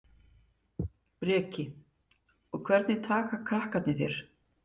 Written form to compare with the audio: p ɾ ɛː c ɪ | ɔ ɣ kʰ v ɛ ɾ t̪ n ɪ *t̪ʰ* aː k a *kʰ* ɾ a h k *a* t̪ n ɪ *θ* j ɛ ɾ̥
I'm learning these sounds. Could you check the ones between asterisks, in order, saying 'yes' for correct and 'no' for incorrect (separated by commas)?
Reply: yes, yes, yes, yes